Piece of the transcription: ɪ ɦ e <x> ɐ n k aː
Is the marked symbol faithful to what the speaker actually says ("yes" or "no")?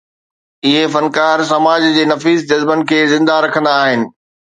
no